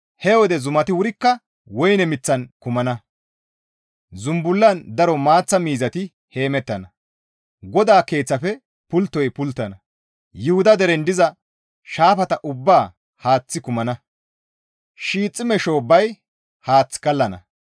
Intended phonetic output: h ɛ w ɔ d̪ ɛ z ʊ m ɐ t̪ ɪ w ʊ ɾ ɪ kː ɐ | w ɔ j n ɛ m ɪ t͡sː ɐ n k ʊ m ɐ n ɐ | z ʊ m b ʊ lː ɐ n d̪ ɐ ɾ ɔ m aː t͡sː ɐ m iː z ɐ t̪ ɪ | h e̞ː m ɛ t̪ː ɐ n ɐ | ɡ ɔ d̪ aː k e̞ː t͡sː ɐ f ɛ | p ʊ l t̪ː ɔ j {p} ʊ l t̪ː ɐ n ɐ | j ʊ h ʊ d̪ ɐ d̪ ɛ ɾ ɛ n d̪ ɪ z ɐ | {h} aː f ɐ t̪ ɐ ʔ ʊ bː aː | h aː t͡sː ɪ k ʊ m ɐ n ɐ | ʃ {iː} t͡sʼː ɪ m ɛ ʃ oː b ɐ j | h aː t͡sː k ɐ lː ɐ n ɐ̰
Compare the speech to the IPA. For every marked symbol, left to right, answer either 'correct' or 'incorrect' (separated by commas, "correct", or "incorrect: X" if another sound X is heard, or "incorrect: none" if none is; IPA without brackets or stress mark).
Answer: correct, incorrect: ʃ, correct